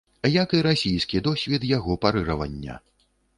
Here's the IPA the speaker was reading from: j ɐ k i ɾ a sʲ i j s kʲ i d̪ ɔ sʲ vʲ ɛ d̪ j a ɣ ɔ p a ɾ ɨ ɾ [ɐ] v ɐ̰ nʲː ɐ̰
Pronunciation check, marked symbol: correct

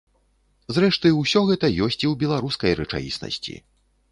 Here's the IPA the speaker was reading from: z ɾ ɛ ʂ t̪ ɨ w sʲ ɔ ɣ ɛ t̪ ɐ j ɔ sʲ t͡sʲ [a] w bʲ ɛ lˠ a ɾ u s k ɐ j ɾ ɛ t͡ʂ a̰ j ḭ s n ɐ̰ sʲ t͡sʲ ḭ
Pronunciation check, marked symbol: incorrect: i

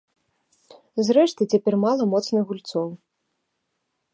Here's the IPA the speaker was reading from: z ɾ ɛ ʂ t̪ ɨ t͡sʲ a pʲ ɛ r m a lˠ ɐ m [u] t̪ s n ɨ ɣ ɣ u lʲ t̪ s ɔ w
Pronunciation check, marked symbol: incorrect: ɔ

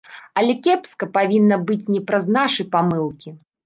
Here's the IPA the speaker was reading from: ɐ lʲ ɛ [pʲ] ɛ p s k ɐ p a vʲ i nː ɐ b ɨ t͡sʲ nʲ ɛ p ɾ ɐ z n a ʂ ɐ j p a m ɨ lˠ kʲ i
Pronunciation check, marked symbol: incorrect: kʲ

